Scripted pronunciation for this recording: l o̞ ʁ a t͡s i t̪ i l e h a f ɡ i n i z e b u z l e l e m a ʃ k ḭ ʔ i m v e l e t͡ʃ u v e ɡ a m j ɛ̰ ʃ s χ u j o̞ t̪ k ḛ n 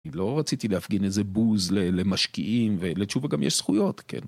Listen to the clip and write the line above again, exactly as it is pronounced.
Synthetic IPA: l o̞ ʁ a t͡s i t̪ i l e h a f ɡ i n e z e b u z l e l e m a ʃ k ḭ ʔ i m v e l e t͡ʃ u v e ɡ a m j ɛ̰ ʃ s χ u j o̞ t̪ k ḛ n